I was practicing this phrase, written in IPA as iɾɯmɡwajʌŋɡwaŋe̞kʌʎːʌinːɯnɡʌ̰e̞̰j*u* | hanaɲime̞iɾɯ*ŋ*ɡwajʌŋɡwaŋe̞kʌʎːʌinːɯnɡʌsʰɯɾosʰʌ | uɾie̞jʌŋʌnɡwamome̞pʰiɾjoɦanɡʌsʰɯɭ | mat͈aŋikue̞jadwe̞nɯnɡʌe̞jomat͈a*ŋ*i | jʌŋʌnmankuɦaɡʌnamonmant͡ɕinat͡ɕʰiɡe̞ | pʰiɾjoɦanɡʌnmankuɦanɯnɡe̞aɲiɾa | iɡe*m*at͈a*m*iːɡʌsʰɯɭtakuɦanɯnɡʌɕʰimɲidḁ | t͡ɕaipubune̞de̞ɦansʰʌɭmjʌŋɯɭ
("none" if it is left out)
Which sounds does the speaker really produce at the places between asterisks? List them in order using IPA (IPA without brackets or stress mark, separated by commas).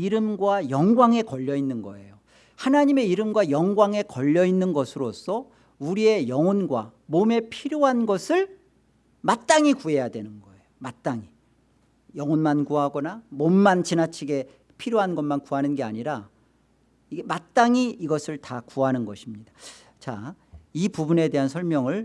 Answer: o, m, ŋ, m, ŋ